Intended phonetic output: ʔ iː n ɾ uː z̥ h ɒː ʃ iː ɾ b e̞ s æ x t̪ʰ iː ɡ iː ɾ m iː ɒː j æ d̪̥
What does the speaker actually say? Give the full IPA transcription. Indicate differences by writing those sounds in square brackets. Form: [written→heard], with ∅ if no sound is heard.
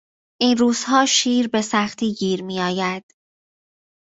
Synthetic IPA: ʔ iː n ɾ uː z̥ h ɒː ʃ iː ɾ b e̞ s æ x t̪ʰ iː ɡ iː ɾ m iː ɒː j æ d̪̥